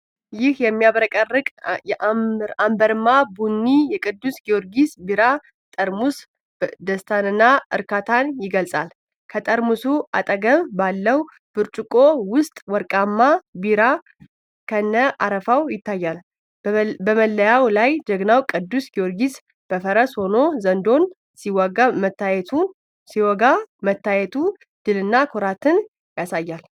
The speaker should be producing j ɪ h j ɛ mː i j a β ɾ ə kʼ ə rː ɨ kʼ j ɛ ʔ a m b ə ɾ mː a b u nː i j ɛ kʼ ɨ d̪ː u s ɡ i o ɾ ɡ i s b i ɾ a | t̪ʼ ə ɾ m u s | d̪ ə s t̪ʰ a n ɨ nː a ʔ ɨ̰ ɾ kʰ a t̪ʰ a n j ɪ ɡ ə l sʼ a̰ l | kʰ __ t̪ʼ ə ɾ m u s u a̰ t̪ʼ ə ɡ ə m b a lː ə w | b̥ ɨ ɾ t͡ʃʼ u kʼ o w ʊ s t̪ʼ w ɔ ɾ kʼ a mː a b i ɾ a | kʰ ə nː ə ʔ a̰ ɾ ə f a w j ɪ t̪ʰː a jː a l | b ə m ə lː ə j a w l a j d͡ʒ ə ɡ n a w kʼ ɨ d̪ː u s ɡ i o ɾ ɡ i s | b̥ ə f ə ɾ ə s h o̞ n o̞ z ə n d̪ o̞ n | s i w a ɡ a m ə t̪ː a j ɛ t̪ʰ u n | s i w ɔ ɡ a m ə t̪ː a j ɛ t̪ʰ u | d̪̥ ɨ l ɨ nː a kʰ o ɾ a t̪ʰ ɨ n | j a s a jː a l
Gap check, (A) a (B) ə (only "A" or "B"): B